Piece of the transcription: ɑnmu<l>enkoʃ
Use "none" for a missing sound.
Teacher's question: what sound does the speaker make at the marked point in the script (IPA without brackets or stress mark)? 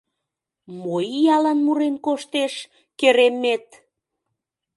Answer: ɾ